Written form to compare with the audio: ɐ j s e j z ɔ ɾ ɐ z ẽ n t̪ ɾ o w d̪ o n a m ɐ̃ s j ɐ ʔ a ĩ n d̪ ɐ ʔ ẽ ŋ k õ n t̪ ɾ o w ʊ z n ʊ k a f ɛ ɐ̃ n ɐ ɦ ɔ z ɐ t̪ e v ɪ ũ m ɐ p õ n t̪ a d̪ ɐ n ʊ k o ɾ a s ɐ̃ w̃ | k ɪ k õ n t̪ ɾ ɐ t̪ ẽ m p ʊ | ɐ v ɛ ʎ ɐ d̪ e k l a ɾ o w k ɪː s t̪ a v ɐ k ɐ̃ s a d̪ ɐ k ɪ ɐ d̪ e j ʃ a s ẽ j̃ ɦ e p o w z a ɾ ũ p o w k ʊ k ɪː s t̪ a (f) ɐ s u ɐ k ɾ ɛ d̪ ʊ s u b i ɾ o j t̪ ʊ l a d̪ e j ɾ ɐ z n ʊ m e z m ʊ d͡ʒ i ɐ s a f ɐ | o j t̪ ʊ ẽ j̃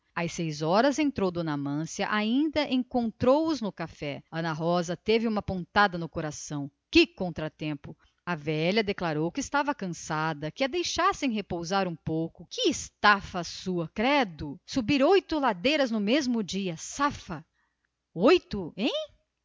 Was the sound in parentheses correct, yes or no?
yes